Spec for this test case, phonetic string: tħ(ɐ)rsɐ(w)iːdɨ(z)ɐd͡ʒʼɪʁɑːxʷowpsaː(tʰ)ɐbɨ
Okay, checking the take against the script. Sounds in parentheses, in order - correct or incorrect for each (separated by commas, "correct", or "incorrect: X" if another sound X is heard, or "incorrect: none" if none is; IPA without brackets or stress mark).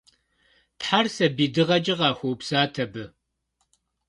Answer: incorrect: a, incorrect: b, incorrect: ʁ, correct